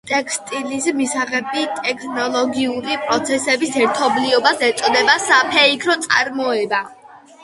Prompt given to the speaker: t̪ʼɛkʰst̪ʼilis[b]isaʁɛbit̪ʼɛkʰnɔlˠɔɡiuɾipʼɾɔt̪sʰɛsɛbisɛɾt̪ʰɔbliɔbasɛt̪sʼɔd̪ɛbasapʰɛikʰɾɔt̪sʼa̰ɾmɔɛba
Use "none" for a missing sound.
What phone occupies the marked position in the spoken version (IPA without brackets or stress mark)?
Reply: m